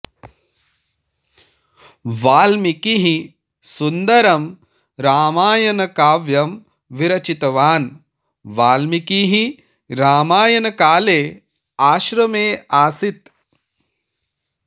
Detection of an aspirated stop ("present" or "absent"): absent